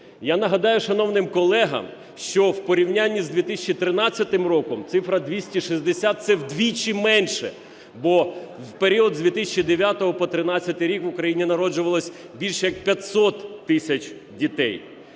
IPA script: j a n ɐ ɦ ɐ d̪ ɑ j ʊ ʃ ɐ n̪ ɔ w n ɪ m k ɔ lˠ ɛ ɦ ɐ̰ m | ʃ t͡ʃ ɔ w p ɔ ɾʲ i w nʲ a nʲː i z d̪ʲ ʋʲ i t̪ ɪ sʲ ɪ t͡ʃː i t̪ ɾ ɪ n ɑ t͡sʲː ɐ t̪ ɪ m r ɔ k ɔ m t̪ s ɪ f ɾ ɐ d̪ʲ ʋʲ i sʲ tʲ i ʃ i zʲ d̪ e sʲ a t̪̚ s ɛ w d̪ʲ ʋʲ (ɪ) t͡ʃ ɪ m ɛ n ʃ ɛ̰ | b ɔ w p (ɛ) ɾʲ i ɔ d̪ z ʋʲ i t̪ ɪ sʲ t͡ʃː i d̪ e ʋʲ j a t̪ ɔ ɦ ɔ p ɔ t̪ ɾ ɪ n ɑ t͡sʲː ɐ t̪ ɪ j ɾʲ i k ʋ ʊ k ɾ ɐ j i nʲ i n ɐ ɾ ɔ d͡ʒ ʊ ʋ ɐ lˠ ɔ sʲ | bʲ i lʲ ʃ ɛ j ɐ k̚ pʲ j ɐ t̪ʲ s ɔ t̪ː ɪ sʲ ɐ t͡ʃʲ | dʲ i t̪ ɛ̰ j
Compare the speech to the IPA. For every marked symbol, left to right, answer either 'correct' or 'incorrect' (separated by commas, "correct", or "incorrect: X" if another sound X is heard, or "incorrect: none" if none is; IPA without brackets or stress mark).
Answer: incorrect: i, incorrect: e